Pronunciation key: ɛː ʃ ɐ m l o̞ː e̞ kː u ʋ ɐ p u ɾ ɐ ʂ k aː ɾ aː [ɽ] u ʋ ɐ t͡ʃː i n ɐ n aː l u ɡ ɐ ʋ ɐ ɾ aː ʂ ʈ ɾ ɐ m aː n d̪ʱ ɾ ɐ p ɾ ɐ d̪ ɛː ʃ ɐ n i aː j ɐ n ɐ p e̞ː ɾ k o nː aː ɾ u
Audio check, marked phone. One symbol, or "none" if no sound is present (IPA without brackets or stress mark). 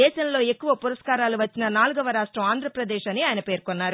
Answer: l